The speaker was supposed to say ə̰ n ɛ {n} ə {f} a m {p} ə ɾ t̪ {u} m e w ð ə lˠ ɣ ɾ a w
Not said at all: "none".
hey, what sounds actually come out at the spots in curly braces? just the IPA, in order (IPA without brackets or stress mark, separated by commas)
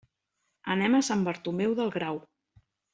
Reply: m, s, b, u